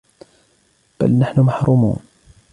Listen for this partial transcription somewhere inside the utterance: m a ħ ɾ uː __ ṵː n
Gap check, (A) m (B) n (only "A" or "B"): A